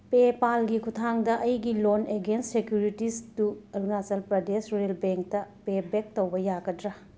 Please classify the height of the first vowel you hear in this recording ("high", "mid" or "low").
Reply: mid